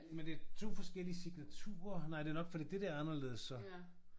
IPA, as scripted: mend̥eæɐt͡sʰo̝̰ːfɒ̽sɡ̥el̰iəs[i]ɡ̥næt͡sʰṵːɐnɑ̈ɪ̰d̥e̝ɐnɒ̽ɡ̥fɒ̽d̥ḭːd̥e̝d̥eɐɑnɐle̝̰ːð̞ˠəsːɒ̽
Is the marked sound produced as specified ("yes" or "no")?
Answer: yes